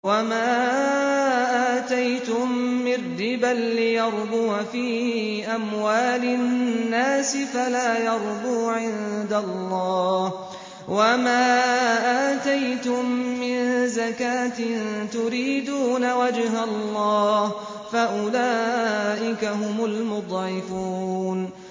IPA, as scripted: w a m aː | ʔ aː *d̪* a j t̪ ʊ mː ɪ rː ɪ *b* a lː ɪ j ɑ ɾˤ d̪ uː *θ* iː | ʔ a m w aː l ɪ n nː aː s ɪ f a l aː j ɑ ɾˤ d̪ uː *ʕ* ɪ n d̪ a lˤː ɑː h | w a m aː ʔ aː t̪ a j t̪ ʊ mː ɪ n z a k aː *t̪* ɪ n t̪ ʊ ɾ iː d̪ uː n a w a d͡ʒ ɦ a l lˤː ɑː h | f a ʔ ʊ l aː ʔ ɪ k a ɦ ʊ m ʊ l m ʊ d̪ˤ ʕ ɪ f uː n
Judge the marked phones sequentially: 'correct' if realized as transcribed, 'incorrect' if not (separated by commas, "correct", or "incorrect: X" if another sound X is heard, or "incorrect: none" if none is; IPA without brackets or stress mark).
incorrect: t̪, correct, incorrect: f, correct, correct